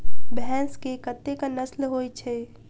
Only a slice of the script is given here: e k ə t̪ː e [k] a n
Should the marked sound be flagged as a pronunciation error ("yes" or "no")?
no